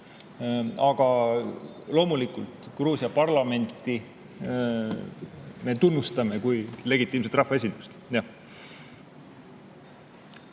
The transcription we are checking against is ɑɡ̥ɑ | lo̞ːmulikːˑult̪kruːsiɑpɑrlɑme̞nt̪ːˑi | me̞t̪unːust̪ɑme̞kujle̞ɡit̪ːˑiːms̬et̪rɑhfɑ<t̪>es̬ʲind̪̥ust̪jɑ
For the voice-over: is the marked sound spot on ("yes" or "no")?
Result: no